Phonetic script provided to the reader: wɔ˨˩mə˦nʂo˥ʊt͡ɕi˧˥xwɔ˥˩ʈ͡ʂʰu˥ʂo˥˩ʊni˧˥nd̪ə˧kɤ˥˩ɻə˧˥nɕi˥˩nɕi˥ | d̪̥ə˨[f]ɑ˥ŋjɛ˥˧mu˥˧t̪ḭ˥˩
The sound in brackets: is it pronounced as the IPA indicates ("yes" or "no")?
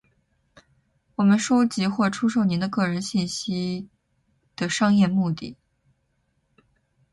no